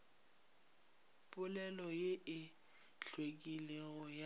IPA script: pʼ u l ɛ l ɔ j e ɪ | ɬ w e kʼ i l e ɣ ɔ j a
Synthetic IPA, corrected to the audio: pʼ ʊ l ɛ l ɔ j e ɪ | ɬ w e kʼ i l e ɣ ɔ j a